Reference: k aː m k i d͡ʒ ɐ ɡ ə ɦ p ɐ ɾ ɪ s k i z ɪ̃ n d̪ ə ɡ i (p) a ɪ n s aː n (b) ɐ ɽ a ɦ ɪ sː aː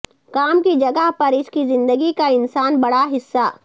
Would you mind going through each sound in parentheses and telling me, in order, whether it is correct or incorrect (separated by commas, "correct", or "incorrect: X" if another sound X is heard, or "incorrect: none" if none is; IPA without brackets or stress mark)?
incorrect: k, correct